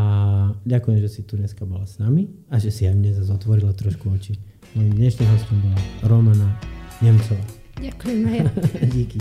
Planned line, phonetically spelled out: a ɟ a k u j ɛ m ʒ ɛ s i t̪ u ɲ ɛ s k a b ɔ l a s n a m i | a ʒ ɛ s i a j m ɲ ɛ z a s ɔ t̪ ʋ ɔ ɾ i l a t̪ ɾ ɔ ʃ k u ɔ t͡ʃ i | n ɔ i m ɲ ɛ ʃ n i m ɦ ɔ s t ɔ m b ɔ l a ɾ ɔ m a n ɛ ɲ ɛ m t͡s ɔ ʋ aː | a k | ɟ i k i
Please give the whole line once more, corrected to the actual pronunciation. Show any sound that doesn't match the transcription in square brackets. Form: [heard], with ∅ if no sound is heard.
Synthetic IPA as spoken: a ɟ a k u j ɛ m ʒ ɛ s i t̪ u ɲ ɛ s k a b ɔ l a s n a m i | a ʒ ɛ s i a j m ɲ ɛ z a [z] ɔ t̪ ʋ ɔ ɾ i l a t̪ ɾ ɔ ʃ k u ɔ t͡ʃ i | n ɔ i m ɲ ɛ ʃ n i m ɦ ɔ s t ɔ m b ɔ l a ɾ ɔ m a n [a] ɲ ɛ m t͡s ɔ ʋ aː | a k | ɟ i k i